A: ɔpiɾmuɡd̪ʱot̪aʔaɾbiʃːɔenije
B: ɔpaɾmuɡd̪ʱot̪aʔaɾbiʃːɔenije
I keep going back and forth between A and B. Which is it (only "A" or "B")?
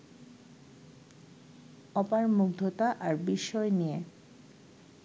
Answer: B